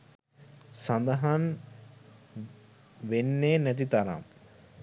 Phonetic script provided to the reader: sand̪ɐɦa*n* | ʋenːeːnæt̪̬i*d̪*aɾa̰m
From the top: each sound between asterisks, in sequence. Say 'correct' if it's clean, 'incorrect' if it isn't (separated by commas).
correct, incorrect